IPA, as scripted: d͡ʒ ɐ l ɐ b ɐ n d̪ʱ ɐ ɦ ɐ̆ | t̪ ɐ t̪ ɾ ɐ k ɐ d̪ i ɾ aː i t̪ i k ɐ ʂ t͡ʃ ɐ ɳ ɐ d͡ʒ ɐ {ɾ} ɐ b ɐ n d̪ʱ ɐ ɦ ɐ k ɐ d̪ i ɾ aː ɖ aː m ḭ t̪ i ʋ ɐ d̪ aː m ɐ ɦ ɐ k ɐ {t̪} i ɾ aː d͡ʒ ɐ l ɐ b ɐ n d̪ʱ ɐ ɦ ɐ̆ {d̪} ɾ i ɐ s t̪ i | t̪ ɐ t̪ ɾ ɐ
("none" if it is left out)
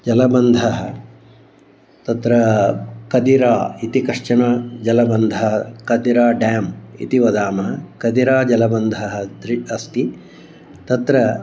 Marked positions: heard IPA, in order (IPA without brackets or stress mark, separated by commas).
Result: l, d̪, d̪